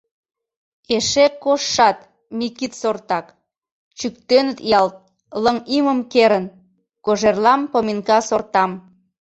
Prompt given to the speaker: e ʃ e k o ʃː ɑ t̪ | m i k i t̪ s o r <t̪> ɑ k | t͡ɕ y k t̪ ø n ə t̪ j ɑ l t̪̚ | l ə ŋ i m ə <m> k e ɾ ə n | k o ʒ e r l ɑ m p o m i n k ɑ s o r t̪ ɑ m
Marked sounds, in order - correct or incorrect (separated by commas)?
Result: correct, correct